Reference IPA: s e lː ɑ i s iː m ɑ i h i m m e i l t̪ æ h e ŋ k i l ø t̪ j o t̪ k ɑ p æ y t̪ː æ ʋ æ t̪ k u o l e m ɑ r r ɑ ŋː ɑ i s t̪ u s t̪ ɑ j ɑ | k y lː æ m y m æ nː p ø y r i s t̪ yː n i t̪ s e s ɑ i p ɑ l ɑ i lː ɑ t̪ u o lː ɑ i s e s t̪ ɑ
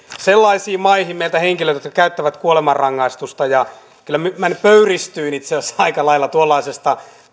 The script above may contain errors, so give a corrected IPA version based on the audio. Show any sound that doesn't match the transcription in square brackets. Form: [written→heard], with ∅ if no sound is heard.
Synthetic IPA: s e lː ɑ i s iː m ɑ i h i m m e i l t̪ æ h e ŋ k i l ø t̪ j o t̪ k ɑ [p→k] æ y t̪ː æ ʋ æ t̪ k u o l e m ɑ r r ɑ ŋː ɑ i s t̪ u s t̪ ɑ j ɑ | k y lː æ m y m æ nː p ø y r i s t̪ yː n i t̪ s e s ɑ i [p→k] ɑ l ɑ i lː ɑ t̪ u o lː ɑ i s e s t̪ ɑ